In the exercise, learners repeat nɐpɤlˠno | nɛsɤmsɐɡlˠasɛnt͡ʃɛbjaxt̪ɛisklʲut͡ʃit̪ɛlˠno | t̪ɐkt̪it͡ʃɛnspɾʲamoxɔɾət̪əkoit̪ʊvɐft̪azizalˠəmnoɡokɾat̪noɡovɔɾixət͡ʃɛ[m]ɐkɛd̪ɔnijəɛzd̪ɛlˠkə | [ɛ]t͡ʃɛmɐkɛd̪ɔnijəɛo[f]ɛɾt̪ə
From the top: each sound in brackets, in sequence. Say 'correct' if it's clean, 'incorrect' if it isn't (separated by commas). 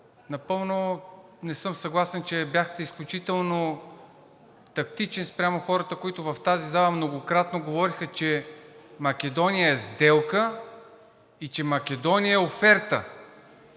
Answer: correct, incorrect, correct